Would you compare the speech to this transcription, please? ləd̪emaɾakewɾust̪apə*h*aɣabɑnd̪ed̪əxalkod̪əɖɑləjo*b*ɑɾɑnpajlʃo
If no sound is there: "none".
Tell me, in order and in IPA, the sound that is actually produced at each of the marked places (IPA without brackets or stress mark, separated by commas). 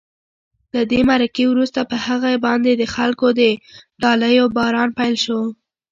h, b